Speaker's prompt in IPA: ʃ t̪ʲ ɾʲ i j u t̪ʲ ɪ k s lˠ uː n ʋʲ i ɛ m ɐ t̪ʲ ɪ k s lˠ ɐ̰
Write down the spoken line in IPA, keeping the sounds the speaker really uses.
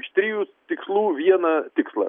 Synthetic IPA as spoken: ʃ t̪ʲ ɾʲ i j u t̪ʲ ɪ k s lˠ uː ʋʲ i ɛ n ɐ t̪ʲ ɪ k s lˠ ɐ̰